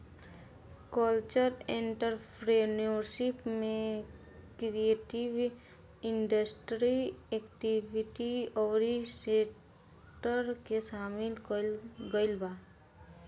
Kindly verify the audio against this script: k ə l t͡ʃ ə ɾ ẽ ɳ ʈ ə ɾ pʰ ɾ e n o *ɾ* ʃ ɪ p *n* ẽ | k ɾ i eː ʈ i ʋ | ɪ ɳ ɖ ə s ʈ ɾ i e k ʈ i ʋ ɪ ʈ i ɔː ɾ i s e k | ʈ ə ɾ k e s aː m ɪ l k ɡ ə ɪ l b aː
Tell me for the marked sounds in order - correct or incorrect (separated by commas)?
correct, incorrect